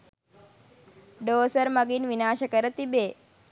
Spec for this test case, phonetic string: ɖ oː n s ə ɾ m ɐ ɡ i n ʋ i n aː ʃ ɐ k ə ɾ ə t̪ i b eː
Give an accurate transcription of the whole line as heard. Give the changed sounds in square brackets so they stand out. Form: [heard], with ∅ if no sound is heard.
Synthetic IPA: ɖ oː [∅] s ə ɾ m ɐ ɡ i n ʋ i n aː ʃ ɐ k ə ɾ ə t̪ i b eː